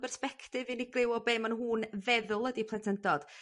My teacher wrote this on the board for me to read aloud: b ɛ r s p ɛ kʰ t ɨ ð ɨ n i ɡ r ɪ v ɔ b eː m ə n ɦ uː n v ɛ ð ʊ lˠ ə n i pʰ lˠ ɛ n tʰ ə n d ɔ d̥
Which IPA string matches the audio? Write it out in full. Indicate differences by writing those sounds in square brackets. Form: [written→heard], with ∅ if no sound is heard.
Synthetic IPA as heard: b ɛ r s p ɛ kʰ t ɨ [ð→v] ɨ n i ɡ r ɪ [v→w] ɔ b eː m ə n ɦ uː n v ɛ ð ʊ lˠ ə [n→d] i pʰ lˠ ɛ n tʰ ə n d ɔ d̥